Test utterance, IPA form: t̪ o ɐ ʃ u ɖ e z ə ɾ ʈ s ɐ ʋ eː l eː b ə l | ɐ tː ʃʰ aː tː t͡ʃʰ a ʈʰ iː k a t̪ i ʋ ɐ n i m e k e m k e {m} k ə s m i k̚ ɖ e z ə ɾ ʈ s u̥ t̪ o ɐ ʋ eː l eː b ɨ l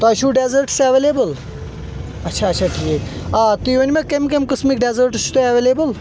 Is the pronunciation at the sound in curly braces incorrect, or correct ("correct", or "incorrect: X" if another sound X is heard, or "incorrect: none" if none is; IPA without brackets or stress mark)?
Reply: correct